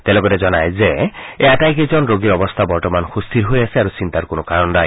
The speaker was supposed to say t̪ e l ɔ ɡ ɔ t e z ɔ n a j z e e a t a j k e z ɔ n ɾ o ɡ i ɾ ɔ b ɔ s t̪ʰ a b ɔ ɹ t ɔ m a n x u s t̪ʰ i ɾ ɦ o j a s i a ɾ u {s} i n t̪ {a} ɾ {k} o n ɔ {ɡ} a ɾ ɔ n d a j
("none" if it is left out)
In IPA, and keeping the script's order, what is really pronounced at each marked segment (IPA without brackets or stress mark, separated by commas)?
s, a, k, k